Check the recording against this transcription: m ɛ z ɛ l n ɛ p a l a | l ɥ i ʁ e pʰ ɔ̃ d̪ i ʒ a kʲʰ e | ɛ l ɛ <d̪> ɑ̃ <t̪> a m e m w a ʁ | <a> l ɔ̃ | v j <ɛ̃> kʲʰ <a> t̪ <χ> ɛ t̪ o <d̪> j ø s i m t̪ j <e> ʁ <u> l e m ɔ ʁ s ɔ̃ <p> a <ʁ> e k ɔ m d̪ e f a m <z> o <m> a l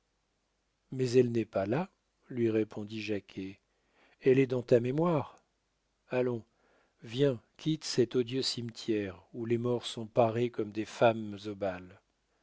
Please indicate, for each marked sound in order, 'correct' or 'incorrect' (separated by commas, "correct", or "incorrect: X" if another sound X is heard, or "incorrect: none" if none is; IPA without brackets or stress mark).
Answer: correct, correct, correct, correct, incorrect: i, incorrect: s, correct, incorrect: ɛ, correct, correct, correct, correct, incorrect: b